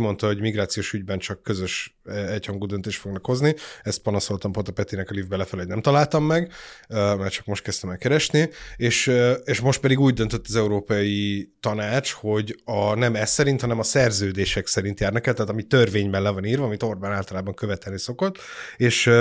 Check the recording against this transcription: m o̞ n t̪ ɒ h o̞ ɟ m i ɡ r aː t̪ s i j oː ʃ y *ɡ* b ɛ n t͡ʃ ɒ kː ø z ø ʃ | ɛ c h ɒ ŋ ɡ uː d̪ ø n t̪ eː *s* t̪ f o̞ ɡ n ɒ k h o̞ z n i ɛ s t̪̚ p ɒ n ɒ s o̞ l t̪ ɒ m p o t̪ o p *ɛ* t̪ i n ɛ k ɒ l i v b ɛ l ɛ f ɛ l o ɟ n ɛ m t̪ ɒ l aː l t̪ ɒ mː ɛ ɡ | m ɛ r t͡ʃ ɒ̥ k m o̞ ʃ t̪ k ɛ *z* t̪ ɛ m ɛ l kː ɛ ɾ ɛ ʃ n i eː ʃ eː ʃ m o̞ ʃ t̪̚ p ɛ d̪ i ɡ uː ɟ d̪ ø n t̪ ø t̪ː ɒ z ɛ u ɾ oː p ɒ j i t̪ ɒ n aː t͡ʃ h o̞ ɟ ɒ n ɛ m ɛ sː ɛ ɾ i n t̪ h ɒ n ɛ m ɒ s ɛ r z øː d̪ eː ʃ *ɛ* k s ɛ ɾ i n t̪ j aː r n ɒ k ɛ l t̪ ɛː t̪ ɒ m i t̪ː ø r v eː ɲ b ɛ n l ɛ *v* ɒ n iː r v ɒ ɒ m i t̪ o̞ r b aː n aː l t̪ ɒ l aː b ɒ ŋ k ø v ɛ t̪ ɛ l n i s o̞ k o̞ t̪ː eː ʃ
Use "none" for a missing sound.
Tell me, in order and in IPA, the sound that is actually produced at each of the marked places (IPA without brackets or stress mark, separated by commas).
ɟ, ʃ, ɛ, s, ɛ, v